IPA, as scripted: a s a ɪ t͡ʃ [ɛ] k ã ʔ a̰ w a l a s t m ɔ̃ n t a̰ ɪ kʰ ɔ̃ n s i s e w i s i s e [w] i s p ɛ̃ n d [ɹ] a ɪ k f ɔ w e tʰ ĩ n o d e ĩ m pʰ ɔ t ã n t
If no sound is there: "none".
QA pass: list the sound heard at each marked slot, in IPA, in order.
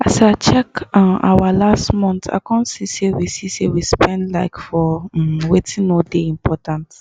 ɛ, w, l

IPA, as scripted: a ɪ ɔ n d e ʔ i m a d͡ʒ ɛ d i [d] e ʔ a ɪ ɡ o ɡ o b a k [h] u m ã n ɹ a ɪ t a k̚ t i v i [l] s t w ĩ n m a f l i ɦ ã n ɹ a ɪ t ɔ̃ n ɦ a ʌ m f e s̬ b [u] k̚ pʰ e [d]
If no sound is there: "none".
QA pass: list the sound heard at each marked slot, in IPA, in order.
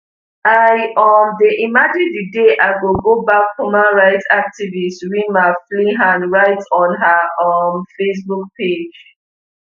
d, h, none, u, d͡ʒ

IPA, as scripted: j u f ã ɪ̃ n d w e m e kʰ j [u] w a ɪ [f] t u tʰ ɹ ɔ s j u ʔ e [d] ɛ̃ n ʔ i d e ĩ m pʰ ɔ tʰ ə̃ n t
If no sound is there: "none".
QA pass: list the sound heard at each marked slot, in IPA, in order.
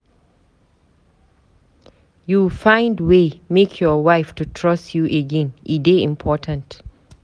ɔ, f, ɡ

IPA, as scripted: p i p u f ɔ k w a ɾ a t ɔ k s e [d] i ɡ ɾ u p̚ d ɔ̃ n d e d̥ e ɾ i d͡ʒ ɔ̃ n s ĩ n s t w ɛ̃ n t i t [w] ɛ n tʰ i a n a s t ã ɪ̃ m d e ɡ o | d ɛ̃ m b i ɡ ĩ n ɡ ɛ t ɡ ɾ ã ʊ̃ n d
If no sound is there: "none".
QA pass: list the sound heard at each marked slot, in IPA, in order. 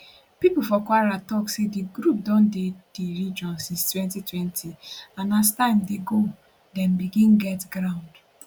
d, w

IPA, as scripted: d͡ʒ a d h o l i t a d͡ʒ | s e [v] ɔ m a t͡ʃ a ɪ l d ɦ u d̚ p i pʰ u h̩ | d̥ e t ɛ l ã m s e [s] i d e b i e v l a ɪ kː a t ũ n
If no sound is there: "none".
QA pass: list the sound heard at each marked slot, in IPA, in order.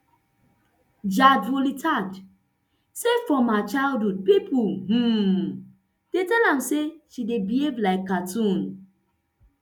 f, ʃ

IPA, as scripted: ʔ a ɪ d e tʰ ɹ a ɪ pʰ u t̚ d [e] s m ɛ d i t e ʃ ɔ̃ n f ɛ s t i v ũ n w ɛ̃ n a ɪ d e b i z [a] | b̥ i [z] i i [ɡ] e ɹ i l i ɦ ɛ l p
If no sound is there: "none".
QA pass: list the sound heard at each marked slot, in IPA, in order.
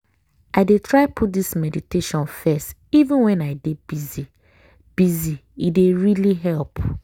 i, i, z, d

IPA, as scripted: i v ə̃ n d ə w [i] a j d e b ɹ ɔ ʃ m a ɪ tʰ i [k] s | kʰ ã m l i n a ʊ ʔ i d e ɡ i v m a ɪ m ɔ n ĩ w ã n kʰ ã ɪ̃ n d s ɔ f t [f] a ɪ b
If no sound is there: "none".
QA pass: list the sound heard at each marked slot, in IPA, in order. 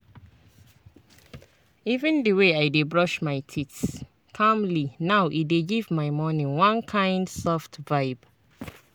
e, t, v

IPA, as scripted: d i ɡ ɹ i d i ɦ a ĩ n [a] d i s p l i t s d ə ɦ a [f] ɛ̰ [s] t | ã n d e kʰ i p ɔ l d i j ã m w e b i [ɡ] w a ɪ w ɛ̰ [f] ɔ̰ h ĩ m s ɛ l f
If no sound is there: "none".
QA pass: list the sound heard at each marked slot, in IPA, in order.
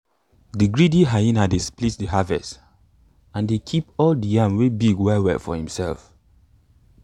a, v, s, ɡ, f

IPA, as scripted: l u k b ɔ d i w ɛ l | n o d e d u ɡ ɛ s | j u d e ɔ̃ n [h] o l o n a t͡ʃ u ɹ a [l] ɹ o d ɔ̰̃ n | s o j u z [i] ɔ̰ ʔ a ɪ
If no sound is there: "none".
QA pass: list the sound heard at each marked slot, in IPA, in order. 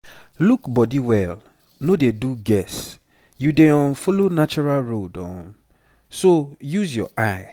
f, l, j

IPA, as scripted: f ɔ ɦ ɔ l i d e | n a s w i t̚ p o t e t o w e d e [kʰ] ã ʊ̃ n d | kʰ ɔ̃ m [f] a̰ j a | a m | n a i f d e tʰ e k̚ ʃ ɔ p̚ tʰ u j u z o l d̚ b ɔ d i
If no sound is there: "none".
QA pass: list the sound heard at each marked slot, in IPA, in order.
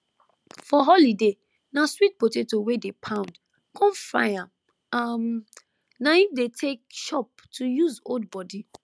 pʰ, f

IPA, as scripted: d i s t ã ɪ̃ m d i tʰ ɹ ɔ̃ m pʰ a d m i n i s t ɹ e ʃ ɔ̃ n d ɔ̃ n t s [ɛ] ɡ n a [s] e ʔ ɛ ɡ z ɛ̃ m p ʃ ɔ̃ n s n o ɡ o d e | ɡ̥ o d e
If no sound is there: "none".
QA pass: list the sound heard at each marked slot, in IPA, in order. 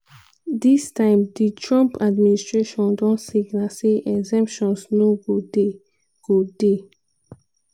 i, s

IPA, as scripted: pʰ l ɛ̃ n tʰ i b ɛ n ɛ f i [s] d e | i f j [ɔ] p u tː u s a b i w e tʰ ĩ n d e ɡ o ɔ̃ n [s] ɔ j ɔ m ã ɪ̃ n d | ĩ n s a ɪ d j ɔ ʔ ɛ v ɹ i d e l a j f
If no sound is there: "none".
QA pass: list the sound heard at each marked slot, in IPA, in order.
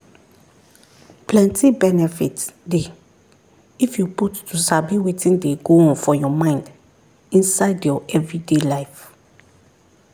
t, u, f

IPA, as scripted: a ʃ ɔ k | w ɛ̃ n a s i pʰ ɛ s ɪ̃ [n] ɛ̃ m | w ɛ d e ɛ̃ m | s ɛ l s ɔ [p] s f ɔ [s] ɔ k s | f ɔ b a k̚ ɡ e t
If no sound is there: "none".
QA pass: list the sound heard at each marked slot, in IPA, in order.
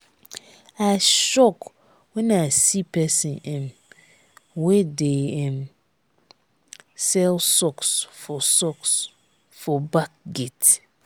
n, k, s

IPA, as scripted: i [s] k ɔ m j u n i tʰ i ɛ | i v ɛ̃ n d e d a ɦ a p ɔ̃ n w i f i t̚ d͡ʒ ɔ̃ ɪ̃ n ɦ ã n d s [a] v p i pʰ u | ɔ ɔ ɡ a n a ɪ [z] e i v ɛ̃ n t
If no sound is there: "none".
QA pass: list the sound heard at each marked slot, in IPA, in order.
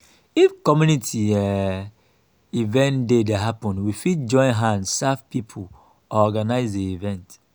f, a, z

